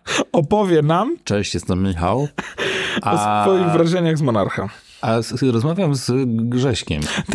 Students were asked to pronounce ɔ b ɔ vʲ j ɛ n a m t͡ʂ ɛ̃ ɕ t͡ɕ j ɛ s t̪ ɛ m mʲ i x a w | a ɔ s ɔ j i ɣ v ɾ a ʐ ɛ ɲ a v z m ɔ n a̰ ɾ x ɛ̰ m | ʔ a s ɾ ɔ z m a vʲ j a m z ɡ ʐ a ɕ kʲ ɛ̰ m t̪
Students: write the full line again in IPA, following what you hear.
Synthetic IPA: ɔ p ɔ vʲ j ɛ n a m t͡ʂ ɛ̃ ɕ t͡ɕ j ɛ s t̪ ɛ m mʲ i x a w | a ɔ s ɔ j i ɣ v ɾ a ʐ ɛ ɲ a ɣ z m ɔ n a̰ ɾ x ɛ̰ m | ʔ a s ɾ ɔ z m a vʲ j a m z ɡ ʐ ɛ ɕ kʲ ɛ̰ m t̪